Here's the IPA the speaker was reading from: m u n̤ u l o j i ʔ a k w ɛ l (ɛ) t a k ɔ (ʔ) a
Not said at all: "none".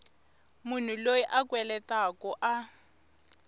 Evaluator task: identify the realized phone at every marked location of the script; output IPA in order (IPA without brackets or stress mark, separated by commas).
ɛ, ʔ